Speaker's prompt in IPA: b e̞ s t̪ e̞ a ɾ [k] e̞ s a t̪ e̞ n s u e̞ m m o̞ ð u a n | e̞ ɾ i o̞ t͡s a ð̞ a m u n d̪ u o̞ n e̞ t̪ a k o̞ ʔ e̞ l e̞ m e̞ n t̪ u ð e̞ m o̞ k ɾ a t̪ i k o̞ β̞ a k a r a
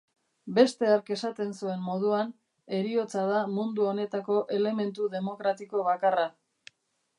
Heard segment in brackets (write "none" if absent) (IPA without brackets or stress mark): k